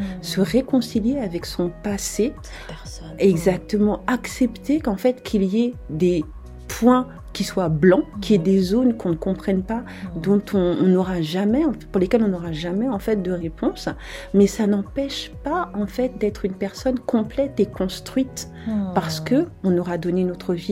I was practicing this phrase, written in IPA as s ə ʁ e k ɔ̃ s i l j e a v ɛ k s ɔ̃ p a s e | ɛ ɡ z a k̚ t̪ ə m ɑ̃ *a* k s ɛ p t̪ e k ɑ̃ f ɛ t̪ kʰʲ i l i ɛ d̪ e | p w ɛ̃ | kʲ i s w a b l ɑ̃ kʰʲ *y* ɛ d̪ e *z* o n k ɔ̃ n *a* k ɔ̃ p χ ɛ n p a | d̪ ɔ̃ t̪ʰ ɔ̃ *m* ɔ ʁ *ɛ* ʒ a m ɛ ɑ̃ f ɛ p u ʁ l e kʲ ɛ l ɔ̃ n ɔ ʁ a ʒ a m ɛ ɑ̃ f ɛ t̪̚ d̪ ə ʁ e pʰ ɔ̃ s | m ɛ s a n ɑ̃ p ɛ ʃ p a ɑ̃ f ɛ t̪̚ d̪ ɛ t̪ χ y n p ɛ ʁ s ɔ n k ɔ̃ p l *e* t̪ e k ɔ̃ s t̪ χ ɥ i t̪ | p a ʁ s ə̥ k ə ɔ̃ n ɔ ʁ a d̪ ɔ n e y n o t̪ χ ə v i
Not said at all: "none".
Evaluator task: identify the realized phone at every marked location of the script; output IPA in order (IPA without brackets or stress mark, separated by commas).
a, i, z, ə, n, a, ɛ